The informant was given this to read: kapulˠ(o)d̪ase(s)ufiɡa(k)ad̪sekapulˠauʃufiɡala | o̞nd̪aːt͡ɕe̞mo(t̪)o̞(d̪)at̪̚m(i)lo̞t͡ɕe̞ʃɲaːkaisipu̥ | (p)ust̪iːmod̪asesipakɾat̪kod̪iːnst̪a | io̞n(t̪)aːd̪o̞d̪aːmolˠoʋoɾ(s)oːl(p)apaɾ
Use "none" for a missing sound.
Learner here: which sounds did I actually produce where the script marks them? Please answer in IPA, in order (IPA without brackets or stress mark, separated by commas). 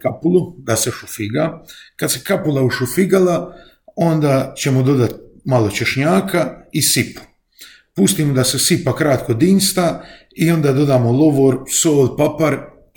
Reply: u, ʃ, k, d̪, d̪, a, p, d̪, s, p